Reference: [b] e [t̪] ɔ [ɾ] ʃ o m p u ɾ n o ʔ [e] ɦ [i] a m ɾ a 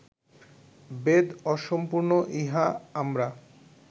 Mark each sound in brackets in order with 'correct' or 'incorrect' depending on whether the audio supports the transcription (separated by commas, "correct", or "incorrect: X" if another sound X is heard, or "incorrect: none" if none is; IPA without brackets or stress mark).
correct, incorrect: d̪, incorrect: none, incorrect: i, incorrect: a